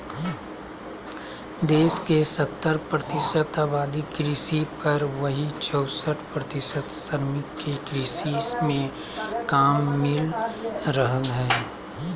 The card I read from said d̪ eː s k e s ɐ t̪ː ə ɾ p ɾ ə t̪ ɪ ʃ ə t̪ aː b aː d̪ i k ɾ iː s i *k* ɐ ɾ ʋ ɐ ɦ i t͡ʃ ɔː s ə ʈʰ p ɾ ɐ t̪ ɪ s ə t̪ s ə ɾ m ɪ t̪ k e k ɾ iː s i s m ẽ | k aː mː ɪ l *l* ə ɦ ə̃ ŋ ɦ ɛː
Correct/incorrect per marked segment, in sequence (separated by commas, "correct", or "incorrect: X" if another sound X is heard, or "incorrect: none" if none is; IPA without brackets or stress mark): incorrect: p, incorrect: ɾ